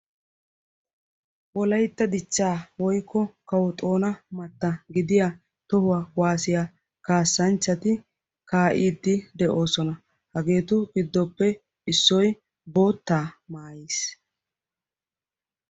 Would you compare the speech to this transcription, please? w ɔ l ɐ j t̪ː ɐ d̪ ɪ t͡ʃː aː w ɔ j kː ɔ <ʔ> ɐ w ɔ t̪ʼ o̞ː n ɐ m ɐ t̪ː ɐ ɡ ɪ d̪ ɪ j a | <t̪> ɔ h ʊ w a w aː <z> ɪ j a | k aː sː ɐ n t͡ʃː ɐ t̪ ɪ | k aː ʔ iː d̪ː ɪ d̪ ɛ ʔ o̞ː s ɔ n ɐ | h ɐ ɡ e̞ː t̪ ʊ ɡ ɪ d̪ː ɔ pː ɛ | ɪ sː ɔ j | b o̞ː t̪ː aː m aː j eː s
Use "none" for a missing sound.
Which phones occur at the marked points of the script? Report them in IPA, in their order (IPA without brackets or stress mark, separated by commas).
k, t̪, s